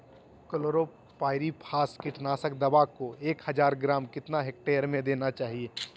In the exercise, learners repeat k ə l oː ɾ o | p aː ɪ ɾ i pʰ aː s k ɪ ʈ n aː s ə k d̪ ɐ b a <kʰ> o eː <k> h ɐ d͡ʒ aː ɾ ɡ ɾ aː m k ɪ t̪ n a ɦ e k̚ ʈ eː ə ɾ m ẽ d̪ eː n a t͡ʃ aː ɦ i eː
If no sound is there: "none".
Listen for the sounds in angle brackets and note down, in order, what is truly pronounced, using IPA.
k, k

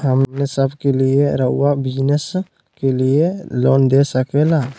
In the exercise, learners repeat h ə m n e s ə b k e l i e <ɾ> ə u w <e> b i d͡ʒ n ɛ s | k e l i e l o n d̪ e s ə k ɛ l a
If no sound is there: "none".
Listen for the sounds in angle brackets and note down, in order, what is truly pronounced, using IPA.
ɾ, a

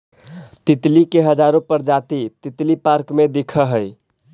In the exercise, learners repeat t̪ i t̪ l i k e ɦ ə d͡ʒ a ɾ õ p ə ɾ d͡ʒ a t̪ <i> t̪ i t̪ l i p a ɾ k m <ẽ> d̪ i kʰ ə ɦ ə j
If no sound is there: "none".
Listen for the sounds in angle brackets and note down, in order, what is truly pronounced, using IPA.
i, e

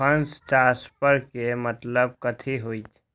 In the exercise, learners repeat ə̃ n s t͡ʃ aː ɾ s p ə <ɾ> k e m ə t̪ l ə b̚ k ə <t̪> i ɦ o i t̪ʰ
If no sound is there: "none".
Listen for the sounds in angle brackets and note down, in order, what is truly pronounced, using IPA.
ɾ, t̪ʰ

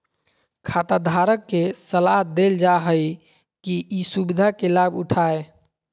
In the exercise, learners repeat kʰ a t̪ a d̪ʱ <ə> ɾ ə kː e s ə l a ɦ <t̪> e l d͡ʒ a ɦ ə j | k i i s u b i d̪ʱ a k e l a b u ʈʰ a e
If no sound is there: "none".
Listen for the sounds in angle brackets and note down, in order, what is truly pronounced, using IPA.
a, d̪

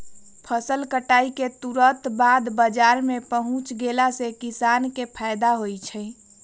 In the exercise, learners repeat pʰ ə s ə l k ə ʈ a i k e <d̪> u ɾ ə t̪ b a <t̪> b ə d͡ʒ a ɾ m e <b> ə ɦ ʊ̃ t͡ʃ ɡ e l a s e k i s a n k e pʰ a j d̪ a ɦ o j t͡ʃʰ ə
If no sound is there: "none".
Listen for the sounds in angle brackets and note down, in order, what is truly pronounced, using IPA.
t̪, d̪, p

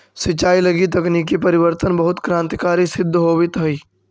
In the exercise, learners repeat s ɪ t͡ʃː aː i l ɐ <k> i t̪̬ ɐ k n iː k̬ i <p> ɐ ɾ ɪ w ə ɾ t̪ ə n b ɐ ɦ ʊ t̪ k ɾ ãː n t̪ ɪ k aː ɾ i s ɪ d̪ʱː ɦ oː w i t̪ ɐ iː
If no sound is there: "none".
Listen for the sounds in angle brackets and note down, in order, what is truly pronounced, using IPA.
ɡ, p

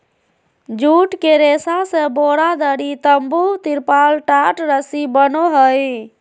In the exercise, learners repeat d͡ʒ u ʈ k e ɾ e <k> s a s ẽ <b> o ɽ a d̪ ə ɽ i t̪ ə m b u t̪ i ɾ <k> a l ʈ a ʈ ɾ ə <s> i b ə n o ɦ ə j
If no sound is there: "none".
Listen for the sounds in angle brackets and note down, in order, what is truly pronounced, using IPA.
none, b, p, s

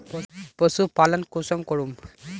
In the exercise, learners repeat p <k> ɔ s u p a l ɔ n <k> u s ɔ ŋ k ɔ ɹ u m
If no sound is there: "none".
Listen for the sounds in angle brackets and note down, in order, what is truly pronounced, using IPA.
p, k

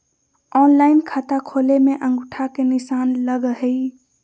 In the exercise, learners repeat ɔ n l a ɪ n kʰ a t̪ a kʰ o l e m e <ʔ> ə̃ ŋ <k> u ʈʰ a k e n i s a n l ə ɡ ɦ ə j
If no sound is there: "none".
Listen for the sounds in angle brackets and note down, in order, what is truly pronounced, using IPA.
ʔ, ɡ

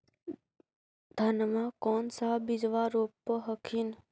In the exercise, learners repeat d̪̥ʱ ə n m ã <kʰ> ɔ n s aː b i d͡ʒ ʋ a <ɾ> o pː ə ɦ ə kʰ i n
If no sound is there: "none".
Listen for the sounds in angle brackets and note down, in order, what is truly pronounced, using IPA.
k, ɾ

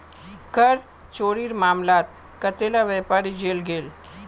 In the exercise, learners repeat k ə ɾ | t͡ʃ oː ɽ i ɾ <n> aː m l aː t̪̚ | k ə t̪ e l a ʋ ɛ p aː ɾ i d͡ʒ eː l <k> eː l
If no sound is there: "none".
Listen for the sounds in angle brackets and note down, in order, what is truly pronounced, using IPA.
m, ɡ

